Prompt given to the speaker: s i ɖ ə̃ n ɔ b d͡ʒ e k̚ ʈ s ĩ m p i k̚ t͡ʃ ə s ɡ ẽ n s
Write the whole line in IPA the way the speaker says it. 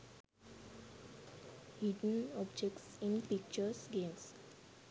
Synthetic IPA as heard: h i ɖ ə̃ n ɔ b d͡ʒ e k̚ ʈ s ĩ n p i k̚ t͡ʃ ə s ɡ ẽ m s

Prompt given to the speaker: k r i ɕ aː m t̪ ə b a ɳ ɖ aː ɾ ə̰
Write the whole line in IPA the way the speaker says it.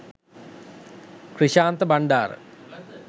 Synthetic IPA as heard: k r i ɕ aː n t̪ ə b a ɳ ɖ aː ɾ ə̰

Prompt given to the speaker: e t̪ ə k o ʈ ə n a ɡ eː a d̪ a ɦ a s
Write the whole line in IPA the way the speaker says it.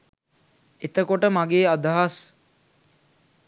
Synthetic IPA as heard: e t̪ ə k o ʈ ə m a ɡ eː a d̪ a ɦ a s

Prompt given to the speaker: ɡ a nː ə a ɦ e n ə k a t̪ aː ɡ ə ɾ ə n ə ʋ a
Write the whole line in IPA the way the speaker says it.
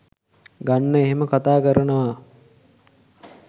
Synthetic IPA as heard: ɡ a nː ə e ɦ e m ə k a t̪ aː k ə ɾ ə n ə ʋ a

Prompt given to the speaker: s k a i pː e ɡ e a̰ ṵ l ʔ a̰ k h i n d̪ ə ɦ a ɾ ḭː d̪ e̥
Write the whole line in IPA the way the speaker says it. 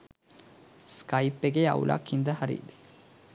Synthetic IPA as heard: s k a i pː e ɡ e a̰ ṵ l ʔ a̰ k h i n d̪ ə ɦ a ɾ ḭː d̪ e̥

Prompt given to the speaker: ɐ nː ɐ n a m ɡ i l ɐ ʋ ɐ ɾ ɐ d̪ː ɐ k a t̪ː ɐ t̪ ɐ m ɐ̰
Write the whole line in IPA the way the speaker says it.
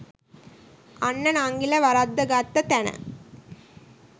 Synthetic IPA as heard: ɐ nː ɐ n a ŋ ɡ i l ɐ ʋ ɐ ɾ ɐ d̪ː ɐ ɡ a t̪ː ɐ t̪ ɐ n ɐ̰

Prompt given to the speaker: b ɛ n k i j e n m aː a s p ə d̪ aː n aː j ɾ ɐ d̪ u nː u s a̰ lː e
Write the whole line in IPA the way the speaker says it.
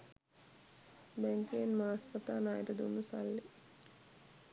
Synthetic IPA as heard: b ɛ ŋ k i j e n m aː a s p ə t̪ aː n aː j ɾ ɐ d̪ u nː u s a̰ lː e

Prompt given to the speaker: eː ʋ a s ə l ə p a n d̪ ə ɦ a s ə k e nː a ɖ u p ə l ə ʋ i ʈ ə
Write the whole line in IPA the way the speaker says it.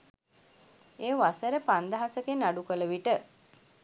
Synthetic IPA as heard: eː ʋ a s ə ɾ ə p a n d̪ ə ɦ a s ə k e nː a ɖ u k ə l ə ʋ i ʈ ə

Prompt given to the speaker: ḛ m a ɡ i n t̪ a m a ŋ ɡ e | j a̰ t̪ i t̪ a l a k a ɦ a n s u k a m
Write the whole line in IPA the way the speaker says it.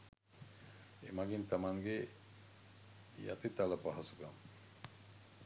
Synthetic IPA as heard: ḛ m a ɡ i n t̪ a m a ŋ ɡ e | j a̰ t̪ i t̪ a l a p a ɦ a s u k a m

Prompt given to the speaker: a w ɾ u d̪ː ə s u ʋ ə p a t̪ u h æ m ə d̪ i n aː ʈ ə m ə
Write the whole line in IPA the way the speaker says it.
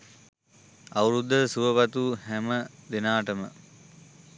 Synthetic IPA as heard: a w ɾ u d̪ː ə s u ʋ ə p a t̪ u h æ m ə d̪ e n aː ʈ ə m ə

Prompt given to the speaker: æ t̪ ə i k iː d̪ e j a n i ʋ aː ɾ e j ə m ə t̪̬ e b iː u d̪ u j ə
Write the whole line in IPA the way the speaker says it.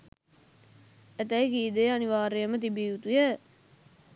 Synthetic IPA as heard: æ t̪ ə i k iː d̪ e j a n i ʋ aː ɾ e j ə m ə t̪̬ i b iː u t̪ u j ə

